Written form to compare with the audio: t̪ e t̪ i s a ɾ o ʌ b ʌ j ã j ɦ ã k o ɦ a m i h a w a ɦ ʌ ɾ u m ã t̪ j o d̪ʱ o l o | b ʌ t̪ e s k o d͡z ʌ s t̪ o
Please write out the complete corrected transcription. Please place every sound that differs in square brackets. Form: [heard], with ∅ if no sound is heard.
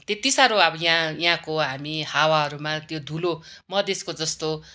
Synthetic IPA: t̪ e t̪ i s a ɾ o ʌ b ʌ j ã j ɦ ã k o ɦ a m i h a w a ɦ ʌ ɾ u m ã t̪ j o d̪ʱ [u] l o | [m] ʌ [d̪] e s k o d͡z ʌ s t̪ o